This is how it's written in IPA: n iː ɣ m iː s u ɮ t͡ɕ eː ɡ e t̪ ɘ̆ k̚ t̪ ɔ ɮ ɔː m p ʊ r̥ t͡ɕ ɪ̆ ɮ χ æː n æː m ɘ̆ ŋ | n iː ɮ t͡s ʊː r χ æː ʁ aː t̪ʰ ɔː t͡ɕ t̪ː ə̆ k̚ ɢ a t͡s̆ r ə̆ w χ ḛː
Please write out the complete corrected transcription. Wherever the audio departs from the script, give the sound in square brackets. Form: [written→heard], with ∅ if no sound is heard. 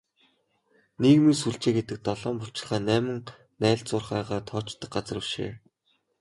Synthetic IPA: n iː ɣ m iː s u ɮ t͡ɕ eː ɡ e t̪ ɘ̆ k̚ t̪ ɔ ɮ ɔː m p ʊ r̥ t͡ɕ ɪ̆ ɮ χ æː n æː m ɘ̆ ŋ | n [iː→æː] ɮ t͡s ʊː r χ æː ʁ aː t̪ʰ ɔː t͡ɕ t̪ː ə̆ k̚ ɢ a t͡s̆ r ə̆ w [χ→ʃ] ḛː